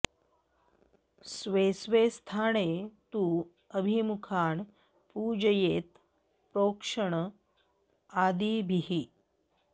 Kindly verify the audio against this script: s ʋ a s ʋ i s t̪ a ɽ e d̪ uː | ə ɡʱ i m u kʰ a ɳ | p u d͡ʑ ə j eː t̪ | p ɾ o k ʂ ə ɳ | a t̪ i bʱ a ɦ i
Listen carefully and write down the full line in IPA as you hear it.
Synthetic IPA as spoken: s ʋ e s ʋ e s t̪ʰ a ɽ e t̪ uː | ə bʱ i m u kʰ a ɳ | p u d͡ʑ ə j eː t̪ | p ɾ o k ʂ ə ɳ | a d̪ i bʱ i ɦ i